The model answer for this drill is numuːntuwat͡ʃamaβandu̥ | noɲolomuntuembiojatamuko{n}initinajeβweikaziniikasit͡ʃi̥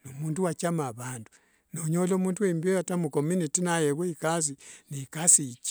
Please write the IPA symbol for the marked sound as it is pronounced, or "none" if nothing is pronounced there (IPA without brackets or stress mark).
m